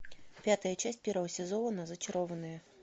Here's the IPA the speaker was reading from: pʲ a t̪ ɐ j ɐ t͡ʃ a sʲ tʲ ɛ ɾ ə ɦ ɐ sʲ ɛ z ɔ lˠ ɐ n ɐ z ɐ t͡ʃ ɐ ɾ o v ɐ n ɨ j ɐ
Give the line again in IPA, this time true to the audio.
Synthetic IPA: pʲ a t̪ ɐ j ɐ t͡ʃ a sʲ pʲ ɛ ɾ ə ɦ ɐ sʲ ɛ z ɔ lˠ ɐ n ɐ z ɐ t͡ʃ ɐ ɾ ɔ v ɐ n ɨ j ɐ